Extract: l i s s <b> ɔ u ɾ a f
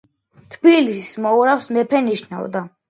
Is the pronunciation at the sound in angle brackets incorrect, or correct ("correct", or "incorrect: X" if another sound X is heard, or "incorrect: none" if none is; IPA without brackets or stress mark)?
incorrect: m